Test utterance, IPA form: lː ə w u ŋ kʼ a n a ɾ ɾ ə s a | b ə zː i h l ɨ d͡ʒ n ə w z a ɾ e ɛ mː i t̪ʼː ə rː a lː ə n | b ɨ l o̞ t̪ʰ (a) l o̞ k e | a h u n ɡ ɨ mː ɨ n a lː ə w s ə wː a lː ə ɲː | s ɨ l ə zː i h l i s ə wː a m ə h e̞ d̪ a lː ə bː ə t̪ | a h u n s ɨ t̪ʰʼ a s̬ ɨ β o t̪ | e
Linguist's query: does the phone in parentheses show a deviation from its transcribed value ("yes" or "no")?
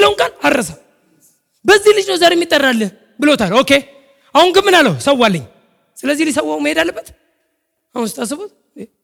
no